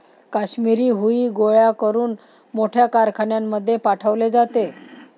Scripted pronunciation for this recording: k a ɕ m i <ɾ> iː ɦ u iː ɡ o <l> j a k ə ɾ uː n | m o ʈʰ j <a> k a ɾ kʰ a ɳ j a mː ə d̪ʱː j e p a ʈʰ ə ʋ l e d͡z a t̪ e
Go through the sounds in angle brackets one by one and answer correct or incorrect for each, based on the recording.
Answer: correct, incorrect, correct

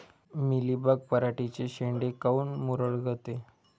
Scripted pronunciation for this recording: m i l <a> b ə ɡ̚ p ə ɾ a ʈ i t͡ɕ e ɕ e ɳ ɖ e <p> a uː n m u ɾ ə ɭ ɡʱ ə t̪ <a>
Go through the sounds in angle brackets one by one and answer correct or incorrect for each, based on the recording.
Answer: incorrect, incorrect, incorrect

